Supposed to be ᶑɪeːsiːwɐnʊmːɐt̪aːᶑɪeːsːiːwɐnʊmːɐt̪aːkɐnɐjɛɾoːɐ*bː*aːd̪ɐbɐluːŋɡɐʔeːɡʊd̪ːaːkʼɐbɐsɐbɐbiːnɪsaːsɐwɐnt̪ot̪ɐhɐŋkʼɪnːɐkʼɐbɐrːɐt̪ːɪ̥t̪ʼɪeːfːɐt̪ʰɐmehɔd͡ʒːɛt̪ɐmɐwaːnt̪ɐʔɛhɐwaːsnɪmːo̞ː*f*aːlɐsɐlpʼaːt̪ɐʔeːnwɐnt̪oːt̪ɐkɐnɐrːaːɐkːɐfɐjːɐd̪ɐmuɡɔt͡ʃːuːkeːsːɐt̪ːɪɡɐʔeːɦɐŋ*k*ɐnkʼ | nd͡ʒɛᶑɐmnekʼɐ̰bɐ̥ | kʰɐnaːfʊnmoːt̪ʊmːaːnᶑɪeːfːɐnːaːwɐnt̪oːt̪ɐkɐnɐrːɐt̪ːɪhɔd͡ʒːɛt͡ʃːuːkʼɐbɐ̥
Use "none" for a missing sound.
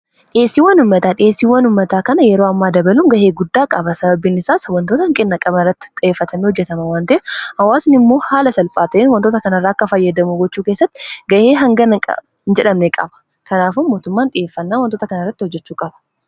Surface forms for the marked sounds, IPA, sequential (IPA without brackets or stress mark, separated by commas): mː, h, ɡ